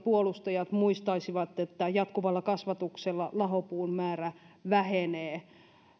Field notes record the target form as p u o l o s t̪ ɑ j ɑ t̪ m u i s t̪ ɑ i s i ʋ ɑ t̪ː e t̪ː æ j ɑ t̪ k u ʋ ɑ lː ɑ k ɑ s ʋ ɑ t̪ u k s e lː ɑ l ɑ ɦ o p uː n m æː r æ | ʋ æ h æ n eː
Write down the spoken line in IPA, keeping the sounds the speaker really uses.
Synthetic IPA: p u o l u s t̪ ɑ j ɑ t̪ m u i s t̪ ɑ i s i ʋ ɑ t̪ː e t̪ː æ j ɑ t̪ k u ʋ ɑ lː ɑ k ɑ s ʋ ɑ t̪ u k s e lː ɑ l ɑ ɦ o p uː n m æː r æ | ʋ æ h e n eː